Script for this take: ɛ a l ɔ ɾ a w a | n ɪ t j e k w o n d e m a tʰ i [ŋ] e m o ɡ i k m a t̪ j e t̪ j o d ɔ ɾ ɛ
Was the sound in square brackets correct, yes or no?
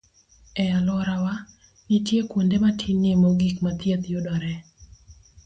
no